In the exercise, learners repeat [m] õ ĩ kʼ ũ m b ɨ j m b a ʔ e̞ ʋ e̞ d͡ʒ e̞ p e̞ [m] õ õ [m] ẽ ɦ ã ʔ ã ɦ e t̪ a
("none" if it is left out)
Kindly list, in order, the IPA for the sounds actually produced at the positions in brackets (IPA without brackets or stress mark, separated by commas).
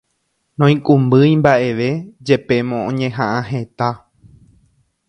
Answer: n, m, ɲ